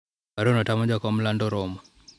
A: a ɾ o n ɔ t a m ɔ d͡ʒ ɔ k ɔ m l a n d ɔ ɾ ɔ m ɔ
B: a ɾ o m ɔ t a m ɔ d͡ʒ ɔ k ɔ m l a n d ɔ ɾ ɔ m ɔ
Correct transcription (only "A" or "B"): A